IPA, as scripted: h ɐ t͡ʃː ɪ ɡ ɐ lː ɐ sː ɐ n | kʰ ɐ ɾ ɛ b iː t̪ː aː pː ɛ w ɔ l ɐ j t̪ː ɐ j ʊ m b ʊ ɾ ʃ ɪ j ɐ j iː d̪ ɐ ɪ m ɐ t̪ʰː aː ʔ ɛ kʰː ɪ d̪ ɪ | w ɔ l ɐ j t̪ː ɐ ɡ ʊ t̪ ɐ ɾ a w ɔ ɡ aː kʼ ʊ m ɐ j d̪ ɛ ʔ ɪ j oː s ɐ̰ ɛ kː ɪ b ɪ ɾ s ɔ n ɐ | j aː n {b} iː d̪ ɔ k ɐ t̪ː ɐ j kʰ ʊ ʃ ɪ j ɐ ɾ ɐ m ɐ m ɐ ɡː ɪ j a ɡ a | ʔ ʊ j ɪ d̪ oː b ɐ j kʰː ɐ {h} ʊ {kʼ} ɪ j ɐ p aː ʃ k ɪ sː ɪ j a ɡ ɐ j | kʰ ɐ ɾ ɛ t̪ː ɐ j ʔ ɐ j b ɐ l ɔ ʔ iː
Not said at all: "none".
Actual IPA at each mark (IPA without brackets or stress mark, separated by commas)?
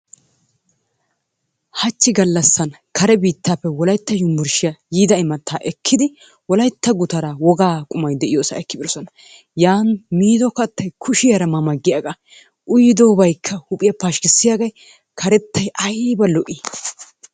m, h, pʼ